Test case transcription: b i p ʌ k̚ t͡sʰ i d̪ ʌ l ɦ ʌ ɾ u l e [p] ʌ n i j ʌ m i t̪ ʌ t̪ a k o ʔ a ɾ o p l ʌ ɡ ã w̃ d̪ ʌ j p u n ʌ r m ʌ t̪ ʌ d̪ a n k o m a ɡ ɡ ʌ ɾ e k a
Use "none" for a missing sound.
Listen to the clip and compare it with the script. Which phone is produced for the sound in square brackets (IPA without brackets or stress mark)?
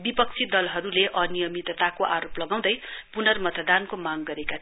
ʔ